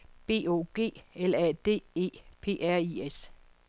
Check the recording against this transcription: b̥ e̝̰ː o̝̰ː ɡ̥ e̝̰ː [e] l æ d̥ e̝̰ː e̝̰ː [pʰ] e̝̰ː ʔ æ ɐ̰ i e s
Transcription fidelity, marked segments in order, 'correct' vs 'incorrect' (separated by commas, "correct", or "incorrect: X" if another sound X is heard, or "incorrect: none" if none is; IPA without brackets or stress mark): correct, correct